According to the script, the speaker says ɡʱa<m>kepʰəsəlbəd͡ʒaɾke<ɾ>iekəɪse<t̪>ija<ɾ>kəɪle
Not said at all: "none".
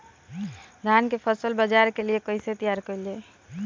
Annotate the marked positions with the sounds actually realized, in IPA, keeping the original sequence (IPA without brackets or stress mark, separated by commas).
n, l, t̪, ɾ